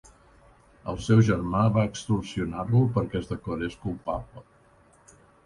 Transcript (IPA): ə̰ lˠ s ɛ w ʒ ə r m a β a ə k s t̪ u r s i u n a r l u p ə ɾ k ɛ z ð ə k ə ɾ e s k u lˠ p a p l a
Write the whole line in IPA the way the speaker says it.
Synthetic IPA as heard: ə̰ lˠ s ɛ w ʒ ə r m a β a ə k s t̪ u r s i u n a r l u p ə ɾ k ɛ z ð ə k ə ɾ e s k u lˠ p a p l ə